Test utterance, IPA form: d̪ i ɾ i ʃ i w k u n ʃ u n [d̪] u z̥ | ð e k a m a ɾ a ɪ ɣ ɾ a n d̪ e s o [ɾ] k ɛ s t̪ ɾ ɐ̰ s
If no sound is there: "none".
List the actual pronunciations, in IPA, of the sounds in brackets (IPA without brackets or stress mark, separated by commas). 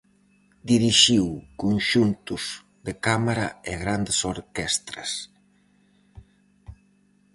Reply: t̪, ɾ